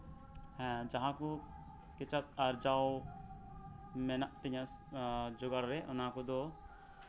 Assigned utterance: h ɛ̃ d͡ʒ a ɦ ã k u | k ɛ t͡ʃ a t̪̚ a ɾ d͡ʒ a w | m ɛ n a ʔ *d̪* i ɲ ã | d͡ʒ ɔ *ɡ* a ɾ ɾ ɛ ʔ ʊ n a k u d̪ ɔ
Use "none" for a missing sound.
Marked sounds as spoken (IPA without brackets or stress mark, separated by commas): t̪, ɡ